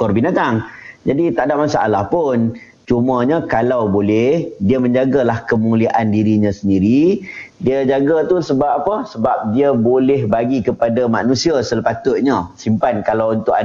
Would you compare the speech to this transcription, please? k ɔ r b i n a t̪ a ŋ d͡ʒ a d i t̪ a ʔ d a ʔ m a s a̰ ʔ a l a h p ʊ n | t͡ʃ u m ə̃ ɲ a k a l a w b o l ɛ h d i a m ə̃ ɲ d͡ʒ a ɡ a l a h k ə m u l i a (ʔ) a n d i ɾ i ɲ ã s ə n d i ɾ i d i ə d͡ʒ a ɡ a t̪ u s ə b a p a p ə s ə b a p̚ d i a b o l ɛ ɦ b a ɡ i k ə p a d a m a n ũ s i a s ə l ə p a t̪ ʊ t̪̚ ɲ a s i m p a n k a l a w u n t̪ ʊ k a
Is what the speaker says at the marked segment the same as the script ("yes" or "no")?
yes